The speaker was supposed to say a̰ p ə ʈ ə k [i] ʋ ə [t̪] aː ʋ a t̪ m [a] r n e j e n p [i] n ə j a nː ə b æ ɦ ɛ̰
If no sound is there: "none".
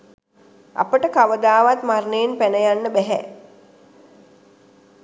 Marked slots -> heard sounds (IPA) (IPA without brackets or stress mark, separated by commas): a, d̪, a, æ